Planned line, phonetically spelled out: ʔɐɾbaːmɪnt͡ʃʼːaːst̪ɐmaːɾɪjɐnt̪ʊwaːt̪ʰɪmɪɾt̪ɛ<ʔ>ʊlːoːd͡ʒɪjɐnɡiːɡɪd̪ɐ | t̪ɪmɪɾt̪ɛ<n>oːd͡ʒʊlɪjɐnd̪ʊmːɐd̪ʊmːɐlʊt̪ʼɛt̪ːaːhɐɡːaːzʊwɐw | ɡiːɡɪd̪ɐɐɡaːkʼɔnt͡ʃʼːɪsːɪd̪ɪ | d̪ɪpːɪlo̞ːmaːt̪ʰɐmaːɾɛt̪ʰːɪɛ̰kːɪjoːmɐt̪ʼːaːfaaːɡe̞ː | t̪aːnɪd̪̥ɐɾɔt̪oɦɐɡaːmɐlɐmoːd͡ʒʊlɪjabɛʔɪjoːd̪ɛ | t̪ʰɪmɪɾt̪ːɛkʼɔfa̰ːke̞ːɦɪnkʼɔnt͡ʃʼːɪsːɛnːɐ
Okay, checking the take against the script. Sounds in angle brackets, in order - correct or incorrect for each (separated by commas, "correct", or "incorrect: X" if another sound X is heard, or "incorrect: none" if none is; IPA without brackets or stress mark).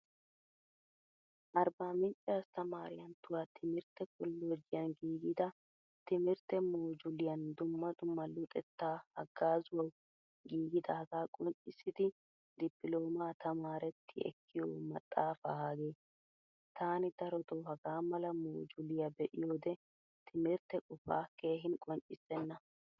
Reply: incorrect: k, incorrect: m